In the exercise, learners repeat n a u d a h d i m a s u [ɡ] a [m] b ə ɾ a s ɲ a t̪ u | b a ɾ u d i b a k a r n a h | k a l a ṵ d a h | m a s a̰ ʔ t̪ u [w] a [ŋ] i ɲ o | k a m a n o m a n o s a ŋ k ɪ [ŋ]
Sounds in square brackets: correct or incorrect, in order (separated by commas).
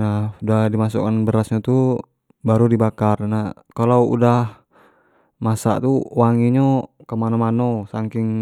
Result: incorrect, incorrect, correct, correct, correct